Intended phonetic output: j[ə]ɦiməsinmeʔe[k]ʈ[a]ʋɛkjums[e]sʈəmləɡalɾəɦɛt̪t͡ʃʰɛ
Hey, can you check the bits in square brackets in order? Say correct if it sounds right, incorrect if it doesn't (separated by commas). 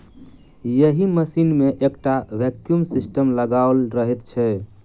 correct, correct, correct, incorrect